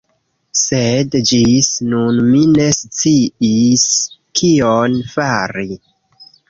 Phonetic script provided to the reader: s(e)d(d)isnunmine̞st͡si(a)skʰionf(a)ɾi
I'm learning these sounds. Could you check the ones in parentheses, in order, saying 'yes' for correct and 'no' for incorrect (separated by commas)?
yes, no, no, yes